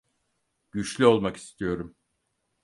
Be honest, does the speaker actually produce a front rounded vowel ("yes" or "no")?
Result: yes